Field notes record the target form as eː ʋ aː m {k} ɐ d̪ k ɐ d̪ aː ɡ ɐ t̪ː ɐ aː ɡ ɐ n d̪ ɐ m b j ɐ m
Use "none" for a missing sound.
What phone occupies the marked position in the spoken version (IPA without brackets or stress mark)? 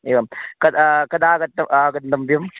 k